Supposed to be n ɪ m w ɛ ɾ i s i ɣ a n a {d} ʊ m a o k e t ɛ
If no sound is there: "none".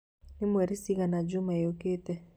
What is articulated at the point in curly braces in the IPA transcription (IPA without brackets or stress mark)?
d͡ʒ